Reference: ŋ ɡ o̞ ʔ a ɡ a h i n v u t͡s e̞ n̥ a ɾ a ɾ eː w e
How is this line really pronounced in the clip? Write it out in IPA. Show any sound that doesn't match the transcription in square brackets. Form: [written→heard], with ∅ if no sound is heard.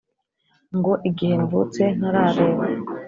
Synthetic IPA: ŋ ɡ o̞ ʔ [a→i] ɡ [a→i] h [i→e] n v u t͡s e̞ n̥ a ɾ a ɾ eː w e

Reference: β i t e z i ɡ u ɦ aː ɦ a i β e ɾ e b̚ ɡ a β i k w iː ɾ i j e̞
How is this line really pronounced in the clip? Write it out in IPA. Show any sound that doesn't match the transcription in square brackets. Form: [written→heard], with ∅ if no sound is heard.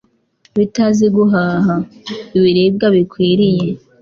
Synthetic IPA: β i t [e→a] z i ɡ u ɦ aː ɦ a i β [e→i] ɾ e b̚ ɡ a β i k w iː ɾ i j e̞

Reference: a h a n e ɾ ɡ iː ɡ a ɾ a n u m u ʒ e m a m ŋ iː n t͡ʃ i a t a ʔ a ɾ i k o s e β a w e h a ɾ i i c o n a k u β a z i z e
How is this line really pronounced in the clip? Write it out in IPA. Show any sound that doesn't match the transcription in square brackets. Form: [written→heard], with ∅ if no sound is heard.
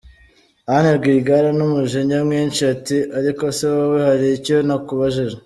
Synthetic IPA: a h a n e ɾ ɡ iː ɡ a ɾ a n u m u ʒ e [m→ɲ] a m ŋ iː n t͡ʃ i a t [a→i] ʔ a ɾ i k o s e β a w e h a ɾ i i c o n a k u β a [z→ʒ] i [z→ʒ] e

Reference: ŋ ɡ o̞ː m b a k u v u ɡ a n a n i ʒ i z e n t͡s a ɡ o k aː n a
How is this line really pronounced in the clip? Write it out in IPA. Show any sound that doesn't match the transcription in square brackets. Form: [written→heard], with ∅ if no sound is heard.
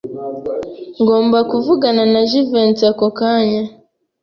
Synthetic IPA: ŋ ɡ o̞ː m b a k u v u ɡ a n a n [i→a] ʒ i [z→v] e n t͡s a [ɡ→k] o k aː [n→ɲ] a

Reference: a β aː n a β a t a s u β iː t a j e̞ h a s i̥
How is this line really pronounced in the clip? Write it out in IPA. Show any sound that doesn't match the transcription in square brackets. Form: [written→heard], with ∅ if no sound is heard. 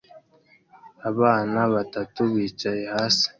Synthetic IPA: a β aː n a β a t a [s→t] u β iː [t→t͡ʃ] a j e̞ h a s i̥

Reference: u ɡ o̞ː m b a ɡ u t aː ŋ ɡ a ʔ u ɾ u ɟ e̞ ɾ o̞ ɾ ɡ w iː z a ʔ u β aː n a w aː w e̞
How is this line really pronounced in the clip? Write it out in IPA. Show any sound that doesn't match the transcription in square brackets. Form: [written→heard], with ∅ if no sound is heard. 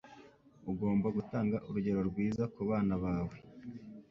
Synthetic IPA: u ɡ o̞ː m b a ɡ u t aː ŋ ɡ a ʔ u ɾ u ɟ e̞ ɾ o̞ ɾ ɡ w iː z a [ʔ→k] u β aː n a [w→β] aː w e̞

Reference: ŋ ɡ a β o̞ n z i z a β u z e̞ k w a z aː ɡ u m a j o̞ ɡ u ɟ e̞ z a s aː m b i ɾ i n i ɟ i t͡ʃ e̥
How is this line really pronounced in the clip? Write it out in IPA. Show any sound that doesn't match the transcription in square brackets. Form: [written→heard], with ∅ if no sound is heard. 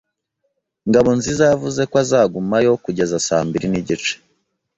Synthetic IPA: ŋ ɡ a β o̞ n z i z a [β→v] u z e̞ k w a z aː ɡ u m a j o̞ [ɡ→k] u ɟ e̞ z a s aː m b i ɾ i n i ɟ i t͡ʃ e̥

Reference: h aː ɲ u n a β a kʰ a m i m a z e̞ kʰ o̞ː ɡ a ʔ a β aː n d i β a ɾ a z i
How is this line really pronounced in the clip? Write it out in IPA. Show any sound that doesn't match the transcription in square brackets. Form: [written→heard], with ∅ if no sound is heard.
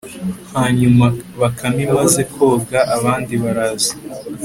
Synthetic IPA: h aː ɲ u [n→m] a β a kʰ a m i m a z e̞ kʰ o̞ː ɡ a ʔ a β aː n d i β a ɾ a z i

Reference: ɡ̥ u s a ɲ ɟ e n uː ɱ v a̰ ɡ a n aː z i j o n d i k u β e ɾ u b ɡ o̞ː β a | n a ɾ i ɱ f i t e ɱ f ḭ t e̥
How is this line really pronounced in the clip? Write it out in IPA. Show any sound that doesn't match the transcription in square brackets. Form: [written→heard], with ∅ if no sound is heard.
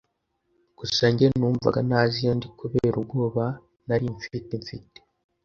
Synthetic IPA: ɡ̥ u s a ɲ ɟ e n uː ɱ v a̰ ɡ a n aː z i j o n d i k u β e ɾ u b ɡ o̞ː β a | n a ɾ i ɱ f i t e ɱ f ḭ t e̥

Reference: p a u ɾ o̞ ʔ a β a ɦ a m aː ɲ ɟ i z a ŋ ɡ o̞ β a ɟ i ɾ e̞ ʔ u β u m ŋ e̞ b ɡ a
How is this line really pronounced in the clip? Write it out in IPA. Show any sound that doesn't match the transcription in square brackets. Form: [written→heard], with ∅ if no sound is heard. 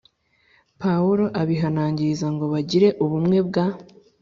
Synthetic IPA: p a u ɾ o̞ ʔ a β [a→i] ɦ a [m→n] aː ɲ ɟ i z a ŋ ɡ o̞ β a ɟ i ɾ e̞ ʔ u β u m ŋ e̞ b ɡ a

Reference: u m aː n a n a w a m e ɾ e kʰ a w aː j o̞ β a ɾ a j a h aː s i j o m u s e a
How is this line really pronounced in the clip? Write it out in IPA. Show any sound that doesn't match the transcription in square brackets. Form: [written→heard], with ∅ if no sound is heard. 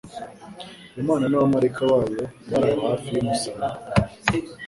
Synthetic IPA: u m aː n a n a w a m [e→a] ɾ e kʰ a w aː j o̞ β a ɾ a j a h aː [s→f] i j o m u s [e→a] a

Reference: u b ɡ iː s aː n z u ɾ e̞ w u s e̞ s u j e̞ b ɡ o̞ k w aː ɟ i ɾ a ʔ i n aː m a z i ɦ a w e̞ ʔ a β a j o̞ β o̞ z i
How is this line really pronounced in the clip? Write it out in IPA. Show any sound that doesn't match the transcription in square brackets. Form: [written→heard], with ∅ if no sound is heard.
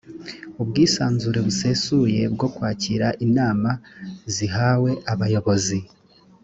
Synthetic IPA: u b ɡ iː s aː n z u ɾ e̞ [w→β] u s e̞ s u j e̞ b ɡ o̞ k w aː [ɟ→c] i ɾ a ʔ i n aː m a z i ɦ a w e̞ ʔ a β a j o̞ β o̞ z i

